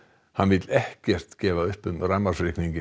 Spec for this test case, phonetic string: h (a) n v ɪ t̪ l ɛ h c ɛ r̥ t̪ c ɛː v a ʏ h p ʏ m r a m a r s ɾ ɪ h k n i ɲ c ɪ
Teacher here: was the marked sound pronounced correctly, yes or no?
yes